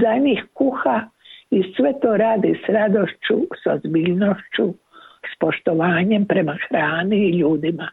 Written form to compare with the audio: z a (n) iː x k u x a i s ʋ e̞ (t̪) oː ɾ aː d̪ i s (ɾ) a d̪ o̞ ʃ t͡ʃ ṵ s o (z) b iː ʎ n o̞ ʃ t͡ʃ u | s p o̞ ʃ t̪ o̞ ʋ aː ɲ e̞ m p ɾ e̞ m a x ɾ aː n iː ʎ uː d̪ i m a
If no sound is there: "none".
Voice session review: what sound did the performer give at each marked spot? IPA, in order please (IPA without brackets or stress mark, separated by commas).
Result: ɲ, t̪, ɾ, z